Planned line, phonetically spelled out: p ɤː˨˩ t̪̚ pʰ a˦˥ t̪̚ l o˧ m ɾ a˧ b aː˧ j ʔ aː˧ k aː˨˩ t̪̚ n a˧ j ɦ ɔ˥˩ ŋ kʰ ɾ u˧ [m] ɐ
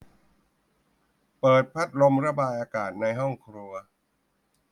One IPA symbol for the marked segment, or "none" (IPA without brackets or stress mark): none